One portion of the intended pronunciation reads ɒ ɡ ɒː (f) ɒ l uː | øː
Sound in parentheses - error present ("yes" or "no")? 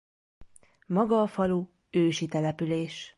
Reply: no